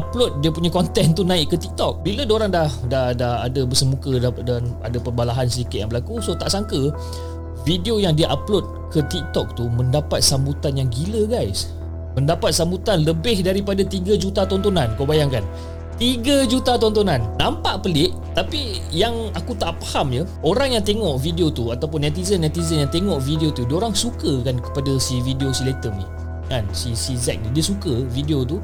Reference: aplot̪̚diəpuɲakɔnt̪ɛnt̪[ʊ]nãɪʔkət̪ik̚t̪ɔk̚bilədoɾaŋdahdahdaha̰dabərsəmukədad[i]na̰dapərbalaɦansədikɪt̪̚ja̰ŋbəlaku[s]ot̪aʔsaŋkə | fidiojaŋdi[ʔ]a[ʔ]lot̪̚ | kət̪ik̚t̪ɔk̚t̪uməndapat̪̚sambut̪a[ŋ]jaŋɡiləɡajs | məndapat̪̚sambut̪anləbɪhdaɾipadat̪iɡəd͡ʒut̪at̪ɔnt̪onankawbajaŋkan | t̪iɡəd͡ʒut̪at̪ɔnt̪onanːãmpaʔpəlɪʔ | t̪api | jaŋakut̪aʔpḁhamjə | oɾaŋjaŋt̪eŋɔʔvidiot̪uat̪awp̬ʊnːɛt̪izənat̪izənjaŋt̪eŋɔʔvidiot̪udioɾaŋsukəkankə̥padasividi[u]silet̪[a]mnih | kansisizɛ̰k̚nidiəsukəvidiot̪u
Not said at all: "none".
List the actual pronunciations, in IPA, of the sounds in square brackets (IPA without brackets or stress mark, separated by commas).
u, a, s, ʔ, p, n, o, ə